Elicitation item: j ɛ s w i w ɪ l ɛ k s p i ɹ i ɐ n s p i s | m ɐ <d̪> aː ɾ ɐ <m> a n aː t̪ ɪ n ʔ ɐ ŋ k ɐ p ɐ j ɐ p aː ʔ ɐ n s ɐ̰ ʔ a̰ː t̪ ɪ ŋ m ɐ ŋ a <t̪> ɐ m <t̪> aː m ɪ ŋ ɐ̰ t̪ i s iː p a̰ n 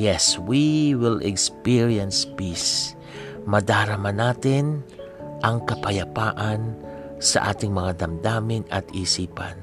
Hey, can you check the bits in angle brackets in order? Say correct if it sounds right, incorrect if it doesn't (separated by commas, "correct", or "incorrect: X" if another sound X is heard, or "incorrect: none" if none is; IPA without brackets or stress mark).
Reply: correct, correct, incorrect: d̪, incorrect: d̪